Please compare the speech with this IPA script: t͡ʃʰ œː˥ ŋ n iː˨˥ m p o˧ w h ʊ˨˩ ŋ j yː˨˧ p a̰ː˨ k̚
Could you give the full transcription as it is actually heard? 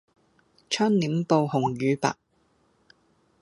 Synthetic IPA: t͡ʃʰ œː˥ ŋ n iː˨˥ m p o˧ w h ʊ˨˩ ŋ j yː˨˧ p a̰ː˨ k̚